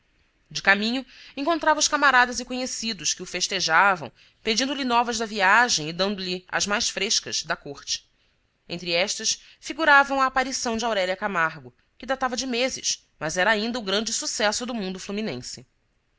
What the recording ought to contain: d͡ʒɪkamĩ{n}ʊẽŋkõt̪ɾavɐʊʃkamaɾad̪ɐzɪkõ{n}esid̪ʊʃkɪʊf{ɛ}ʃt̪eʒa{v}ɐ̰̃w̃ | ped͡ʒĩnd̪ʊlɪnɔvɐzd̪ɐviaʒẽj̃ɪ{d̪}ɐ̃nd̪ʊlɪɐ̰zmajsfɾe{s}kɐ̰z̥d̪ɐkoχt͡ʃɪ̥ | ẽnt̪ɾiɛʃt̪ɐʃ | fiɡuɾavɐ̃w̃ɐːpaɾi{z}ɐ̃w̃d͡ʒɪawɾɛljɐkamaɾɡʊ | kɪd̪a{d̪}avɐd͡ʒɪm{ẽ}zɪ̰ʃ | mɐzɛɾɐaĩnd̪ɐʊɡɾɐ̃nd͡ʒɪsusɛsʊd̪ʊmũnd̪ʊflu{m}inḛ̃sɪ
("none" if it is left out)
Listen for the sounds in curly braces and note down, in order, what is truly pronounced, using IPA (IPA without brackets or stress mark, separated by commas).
ɲ, ɲ, e, v, d̪, ʃ, s, t̪, e, m